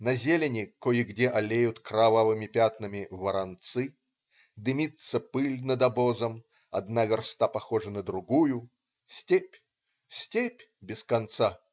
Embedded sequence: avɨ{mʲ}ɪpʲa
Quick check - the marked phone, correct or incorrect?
correct